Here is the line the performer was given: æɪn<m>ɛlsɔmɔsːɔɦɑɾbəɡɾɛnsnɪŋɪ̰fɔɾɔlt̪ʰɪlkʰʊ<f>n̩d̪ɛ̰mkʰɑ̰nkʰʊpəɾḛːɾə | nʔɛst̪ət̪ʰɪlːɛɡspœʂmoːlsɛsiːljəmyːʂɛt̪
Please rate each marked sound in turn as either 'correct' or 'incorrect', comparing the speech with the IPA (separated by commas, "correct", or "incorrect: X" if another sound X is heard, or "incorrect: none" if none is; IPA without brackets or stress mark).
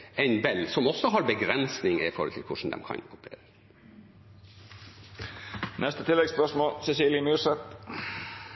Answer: incorrect: b, incorrect: ʂ